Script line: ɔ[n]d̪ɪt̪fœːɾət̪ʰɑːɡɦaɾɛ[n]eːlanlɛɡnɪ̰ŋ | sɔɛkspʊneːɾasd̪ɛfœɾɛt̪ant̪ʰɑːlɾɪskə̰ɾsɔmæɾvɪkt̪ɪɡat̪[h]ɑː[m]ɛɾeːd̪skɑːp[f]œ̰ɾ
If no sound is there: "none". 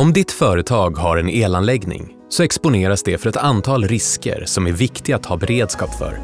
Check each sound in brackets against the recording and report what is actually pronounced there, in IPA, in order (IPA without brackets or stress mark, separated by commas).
m, n, h, b, f